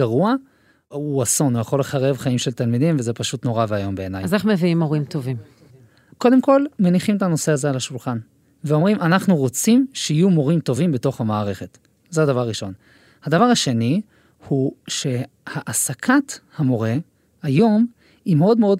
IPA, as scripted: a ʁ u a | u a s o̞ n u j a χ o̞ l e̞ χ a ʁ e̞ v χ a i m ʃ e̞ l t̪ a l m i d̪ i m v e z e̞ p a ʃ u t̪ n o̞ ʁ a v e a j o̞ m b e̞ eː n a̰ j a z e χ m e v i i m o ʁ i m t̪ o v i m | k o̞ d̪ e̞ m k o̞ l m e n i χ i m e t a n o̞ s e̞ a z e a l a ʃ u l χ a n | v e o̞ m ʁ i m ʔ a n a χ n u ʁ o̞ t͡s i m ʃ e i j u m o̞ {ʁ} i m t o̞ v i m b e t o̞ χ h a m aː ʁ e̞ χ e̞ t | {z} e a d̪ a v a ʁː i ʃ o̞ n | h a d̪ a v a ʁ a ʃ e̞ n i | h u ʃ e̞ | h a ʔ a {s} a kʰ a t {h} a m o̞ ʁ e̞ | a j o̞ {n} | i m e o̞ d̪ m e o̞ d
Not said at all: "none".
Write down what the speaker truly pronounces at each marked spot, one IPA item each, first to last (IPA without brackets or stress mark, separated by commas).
ʁ, z, s, h, m